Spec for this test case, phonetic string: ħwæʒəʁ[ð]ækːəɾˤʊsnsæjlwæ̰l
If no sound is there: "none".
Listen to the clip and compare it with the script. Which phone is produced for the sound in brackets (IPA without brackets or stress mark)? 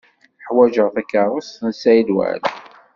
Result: θ